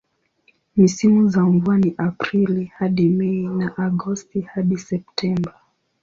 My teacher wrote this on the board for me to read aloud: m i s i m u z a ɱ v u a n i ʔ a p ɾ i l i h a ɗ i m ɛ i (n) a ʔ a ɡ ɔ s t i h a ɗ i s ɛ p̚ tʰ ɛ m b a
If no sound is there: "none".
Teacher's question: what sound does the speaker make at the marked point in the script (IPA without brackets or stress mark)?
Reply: n